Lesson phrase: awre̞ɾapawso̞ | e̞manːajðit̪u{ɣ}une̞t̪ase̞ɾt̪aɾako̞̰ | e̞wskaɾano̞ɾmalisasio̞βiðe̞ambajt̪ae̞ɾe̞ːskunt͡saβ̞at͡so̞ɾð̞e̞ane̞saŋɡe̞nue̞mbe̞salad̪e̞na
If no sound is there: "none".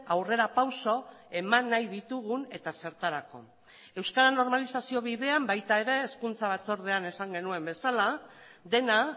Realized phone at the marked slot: ɣ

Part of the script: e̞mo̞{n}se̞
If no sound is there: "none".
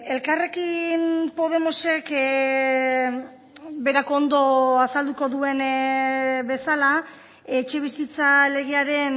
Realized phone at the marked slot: none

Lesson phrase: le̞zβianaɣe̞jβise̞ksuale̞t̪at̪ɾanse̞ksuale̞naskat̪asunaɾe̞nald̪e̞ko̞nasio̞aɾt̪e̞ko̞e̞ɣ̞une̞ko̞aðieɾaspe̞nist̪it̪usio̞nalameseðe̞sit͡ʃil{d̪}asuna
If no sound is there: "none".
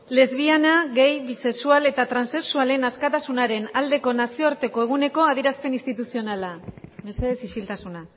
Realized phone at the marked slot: t̪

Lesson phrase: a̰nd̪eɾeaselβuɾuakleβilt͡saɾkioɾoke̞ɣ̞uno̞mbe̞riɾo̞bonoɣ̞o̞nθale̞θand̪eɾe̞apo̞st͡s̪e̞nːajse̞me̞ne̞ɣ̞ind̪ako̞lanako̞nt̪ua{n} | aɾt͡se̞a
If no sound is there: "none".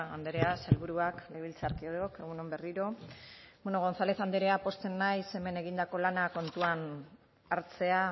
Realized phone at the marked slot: n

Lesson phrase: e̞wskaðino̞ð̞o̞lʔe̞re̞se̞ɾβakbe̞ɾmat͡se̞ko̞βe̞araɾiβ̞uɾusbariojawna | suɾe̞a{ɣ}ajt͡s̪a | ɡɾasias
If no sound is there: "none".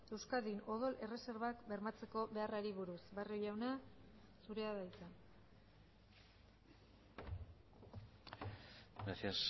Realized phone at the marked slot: ð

